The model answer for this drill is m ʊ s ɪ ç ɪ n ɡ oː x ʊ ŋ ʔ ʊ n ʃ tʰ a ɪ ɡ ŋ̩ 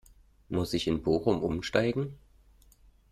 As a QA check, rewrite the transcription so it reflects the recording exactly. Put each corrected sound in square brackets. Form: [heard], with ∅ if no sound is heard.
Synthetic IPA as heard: m ʊ s ɪ ç ɪ n [b] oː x ʊ [m] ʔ ʊ [m] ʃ [t] a ɪ ɡ ŋ̩